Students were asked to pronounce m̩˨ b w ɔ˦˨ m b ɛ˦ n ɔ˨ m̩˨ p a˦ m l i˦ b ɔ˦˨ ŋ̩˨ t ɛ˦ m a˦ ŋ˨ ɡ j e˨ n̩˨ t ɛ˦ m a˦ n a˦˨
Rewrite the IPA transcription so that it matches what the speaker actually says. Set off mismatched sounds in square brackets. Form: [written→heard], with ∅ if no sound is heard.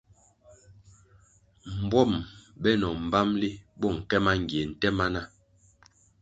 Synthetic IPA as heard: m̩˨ b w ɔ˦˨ m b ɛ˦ n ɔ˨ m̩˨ [p→b] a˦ m l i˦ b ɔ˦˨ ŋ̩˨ [t→k] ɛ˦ m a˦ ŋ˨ ɡ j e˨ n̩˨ t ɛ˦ m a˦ n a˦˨